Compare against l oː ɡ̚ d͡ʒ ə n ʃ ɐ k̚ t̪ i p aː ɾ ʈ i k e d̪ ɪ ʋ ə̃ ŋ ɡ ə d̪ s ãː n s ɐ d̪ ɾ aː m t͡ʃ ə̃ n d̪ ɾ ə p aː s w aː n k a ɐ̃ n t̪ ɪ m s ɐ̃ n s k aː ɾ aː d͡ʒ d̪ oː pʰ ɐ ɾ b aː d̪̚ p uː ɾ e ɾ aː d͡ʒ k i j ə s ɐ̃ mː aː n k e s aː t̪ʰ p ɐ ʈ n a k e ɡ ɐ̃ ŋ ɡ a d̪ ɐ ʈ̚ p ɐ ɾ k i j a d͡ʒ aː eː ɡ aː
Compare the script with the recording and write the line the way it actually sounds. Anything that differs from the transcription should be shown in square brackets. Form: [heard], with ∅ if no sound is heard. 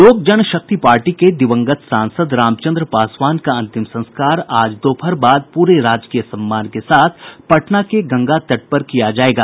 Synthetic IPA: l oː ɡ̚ d͡ʒ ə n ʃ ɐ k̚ t̪ i p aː ɾ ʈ i k e d̪ ɪ ʋ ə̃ ŋ ɡ ə [t̪] s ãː n s [ə] d̪ ɾ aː m t͡ʃ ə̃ n d̪ ɾ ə p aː s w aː n k a ɐ̃ n t̪ ɪ m s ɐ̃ n s k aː ɾ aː d͡ʒ d̪ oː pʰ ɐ ɾ b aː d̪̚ p uː ɾ e ɾ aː d͡ʒ k i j ə s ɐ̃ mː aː n k e s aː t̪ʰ p ɐ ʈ n a k e ɡ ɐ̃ ŋ ɡ a [t̪] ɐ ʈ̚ p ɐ ɾ k i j a d͡ʒ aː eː ɡ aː